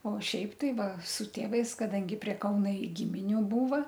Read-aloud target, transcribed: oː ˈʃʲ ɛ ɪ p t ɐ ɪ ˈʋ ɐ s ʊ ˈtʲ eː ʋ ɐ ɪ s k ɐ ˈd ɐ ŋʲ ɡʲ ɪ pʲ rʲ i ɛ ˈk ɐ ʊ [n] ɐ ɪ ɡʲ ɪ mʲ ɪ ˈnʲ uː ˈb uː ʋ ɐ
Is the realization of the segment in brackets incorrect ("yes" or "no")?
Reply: no